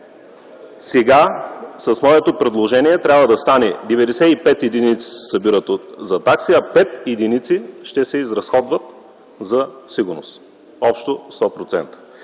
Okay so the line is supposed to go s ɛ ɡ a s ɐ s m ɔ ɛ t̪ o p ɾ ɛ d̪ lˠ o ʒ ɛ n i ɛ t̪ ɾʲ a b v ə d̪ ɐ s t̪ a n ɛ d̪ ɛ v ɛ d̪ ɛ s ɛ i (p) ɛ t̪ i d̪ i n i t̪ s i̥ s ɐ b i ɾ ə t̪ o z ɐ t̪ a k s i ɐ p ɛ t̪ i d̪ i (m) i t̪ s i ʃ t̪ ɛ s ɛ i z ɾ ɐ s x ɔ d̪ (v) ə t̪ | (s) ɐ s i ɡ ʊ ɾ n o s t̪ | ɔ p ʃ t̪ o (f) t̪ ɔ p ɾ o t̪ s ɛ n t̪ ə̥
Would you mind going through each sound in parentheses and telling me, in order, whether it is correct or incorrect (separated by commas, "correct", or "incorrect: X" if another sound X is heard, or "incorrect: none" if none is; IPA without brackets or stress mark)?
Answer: correct, incorrect: n, correct, incorrect: z, incorrect: s